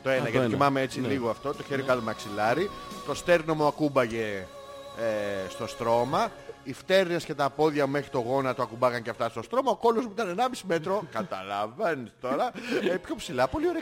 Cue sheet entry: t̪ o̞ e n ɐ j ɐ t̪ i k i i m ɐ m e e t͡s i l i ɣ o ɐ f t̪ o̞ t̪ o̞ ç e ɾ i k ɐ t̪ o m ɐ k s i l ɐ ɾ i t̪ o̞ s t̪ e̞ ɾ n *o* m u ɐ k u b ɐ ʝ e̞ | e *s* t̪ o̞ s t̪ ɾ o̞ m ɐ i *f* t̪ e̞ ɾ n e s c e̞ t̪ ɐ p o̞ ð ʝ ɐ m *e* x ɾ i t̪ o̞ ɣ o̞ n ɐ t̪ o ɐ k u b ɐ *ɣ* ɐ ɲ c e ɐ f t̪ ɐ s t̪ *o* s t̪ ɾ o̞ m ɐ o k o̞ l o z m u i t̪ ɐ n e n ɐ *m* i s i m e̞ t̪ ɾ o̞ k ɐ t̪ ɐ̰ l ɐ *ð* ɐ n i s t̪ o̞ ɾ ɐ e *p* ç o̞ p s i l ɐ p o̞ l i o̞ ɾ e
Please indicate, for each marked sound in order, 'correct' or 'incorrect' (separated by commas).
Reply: correct, correct, correct, correct, correct, correct, correct, incorrect, correct